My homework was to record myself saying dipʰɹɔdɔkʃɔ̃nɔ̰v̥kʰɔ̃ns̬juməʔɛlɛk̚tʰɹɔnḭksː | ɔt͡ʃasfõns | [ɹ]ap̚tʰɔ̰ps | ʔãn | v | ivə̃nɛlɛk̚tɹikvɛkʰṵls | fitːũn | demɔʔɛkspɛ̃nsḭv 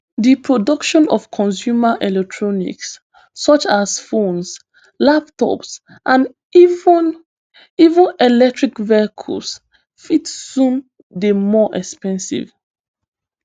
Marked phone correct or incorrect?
incorrect